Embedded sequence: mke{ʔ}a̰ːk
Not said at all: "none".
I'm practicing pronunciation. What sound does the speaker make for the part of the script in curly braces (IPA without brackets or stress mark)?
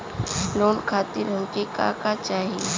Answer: k